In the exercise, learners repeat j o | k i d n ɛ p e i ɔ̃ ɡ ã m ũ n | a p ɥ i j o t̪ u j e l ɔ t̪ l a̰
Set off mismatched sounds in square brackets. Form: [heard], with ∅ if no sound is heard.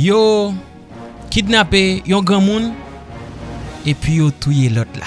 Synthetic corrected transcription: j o | k i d n [a] p e [j] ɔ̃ ɡ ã m ũ n | [e] p ɥ i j o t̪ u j e l ɔ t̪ l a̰